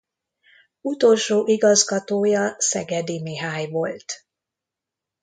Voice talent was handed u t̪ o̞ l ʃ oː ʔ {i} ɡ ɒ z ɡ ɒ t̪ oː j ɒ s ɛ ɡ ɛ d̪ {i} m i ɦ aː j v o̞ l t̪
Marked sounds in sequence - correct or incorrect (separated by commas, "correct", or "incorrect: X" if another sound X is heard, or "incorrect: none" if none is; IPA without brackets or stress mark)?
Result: correct, correct